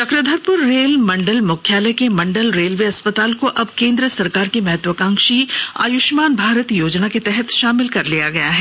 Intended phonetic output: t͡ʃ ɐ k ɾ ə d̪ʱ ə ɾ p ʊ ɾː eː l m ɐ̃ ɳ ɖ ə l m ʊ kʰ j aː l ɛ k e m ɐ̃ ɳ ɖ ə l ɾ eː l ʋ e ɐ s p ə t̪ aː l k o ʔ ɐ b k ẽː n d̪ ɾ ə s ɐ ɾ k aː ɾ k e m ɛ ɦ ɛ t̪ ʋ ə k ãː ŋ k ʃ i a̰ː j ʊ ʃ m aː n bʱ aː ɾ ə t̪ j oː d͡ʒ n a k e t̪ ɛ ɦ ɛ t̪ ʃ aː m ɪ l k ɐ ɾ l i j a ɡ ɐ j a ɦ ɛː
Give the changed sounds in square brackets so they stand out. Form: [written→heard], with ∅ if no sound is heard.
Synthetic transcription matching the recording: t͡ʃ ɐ k ɾ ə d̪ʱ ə ɾ p ʊ ɾː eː l m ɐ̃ ɳ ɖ ə l m ʊ kʰ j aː l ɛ k e m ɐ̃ ɳ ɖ ə l ɾ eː l ʋ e ɐ s p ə t̪ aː l k o ʔ ɐ b k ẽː n d̪ ɾ ə s ɐ ɾ k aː ɾ k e m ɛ ɦ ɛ t̪ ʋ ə k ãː ŋ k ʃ i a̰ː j ʊ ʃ m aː n bʱ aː ɾ ə t̪ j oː d͡ʒ n a k e t̪ ɛ ɦ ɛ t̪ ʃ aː m ɪ l k ɐ ɾ l i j a ɡ ɐ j a ɦ ɛː